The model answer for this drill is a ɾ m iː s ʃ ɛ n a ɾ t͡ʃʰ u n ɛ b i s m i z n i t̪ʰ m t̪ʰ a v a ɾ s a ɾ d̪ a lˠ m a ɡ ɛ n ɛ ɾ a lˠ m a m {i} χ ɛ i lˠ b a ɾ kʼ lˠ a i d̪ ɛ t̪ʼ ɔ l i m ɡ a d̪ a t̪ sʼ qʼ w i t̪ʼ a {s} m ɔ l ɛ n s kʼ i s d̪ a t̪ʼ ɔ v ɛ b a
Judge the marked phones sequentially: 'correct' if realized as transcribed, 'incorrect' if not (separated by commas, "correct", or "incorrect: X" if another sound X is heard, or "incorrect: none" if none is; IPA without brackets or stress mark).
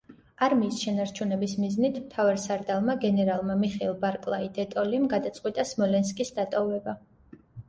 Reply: correct, correct